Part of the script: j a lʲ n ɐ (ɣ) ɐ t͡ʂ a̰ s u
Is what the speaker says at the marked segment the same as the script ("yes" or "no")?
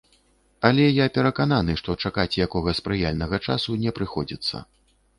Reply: yes